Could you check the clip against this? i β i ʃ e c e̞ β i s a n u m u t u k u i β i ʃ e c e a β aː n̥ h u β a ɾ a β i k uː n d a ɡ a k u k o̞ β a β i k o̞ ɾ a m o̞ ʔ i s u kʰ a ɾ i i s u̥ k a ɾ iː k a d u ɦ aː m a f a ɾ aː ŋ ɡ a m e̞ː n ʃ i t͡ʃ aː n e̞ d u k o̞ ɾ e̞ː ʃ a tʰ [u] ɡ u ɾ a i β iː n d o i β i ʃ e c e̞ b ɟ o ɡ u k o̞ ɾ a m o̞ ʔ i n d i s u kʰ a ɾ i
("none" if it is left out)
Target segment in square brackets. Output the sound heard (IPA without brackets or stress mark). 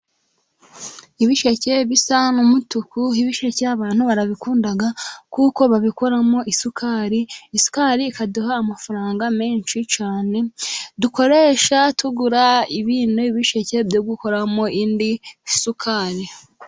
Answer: u